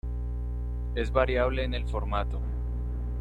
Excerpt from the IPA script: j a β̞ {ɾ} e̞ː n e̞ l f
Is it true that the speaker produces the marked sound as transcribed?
no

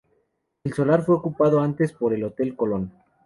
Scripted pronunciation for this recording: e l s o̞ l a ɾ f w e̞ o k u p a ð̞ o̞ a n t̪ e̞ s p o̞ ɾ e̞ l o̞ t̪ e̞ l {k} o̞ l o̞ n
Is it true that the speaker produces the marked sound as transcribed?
yes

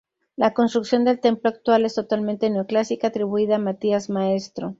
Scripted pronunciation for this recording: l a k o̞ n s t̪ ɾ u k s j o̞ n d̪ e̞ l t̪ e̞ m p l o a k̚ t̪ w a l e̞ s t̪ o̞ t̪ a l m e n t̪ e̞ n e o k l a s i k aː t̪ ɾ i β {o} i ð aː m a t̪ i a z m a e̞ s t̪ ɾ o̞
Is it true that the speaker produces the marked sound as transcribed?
no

